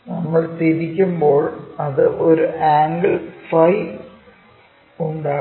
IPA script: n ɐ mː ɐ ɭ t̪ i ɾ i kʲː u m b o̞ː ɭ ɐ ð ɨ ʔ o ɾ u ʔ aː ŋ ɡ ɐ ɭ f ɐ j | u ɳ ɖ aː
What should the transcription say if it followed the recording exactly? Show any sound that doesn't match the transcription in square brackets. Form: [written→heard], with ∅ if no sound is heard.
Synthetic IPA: n ɐ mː ɐ ɭ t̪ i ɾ i kʲː u m b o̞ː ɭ ɐ ð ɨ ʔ o ɾ u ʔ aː ŋ ɡ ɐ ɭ f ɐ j | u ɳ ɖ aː

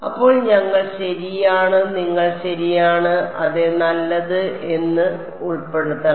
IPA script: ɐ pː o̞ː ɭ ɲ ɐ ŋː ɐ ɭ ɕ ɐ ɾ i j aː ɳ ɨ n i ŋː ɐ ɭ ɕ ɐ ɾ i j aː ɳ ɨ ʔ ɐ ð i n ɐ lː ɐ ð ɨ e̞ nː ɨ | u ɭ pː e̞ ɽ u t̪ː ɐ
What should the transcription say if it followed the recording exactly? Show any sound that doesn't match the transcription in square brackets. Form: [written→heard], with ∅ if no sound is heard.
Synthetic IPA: ɐ pː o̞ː ɭ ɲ ɐ ŋː ɐ ɭ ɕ ɐ ɾ i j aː ɳ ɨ n i ŋː ɐ ɭ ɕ ɐ ɾ i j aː ɳ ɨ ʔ ɐ ð [i→e] n ɐ lː ɐ ð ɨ e̞ nː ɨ | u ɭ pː e̞ ɽ u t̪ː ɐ

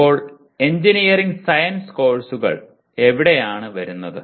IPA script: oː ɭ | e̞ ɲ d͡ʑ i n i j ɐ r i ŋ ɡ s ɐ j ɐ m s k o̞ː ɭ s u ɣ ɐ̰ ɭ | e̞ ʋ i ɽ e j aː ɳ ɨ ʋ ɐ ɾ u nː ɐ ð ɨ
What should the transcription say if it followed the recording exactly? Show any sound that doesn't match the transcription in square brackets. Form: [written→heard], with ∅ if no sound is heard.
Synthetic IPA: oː ɭ | e̞ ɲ d͡ʑ i n i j ɐ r i ŋ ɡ s ɐ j ɐ [m→n] s k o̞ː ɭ s u ɣ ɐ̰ ɭ | e̞ ʋ i ɽ e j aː ɳ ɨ ʋ ɐ ɾ u nː ɐ ð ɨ

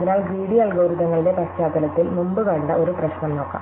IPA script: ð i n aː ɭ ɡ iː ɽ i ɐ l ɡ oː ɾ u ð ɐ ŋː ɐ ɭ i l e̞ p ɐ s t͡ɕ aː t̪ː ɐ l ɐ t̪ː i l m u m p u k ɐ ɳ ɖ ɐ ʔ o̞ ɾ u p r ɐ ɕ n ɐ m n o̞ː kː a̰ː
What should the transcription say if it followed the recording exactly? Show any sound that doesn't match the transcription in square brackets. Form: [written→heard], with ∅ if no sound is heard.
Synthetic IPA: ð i n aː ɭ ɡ iː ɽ i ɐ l ɡ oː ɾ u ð ɐ ŋː ɐ ɭ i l e̞ p ɐ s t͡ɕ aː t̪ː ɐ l ɐ t̪ː i l m u m [p→b] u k ɐ ɳ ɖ ɐ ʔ o̞ ɾ u p r ɐ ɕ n ɐ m n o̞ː kː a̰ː

